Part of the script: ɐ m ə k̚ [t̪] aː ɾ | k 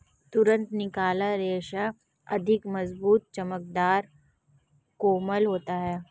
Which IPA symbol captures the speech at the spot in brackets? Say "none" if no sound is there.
d̪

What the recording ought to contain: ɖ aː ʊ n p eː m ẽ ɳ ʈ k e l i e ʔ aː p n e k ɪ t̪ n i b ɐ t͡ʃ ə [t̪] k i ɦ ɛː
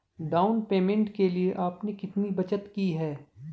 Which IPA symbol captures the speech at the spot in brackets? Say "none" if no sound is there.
t̪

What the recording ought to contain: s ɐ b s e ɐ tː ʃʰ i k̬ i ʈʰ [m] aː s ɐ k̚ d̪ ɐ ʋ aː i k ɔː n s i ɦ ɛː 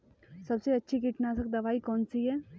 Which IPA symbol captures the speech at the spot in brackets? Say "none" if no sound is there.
n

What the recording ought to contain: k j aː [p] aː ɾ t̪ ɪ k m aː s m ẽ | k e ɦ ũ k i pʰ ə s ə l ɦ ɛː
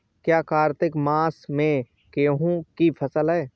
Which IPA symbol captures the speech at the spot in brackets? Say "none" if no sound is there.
k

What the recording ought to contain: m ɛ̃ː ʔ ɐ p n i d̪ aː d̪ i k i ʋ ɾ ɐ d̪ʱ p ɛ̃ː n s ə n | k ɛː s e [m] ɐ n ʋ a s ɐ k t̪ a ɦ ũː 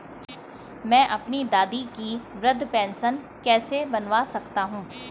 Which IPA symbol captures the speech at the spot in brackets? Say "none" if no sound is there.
b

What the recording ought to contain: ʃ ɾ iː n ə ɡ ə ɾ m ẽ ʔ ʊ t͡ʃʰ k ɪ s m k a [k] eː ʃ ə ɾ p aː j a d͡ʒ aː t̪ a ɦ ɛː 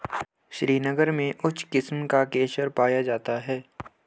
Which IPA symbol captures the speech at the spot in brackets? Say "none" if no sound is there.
k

